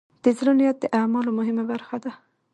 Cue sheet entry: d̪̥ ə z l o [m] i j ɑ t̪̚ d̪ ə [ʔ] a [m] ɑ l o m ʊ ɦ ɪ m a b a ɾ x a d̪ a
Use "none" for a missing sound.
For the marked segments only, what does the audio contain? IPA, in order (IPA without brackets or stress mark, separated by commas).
n, ʔ, m